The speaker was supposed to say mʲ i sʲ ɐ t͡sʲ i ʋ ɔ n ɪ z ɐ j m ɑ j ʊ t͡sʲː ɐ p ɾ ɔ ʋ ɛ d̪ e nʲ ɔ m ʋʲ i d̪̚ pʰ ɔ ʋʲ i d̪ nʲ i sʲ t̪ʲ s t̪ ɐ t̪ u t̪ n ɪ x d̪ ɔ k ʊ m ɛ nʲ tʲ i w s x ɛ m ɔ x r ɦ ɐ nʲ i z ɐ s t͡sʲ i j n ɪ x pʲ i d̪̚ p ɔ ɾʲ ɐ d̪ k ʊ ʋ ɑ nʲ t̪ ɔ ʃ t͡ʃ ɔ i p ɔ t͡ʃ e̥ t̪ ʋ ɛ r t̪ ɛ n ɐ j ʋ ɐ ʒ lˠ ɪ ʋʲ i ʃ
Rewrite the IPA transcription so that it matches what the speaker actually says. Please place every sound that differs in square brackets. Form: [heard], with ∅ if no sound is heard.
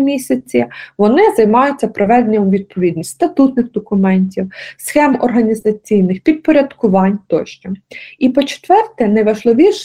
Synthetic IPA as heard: mʲ i sʲ ɐ t͡sʲ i ʋ ɔ n ɪ z ɐ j m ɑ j ʊ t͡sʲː ɐ p ɾ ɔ ʋ ɛ d̪ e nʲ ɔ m ʋʲ i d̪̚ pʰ ɔ ʋʲ i d̪ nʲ i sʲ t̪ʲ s t̪ ɐ t̪ u t̪ n ɪ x d̪ ɔ k ʊ m ɛ nʲ tʲ i w s x ɛ m ɔ [∅] r ɦ ɐ nʲ i z ɐ [∅] t͡sʲ i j n ɪ x pʲ i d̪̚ p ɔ ɾʲ ɐ d̪ k ʊ ʋ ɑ nʲ t̪ ɔ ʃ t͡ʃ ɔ i p ɔ t͡ʃ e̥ t̪ ʋ ɛ r t̪ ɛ n ɐ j ʋ ɐ ʒ lˠ ɪ ʋʲ i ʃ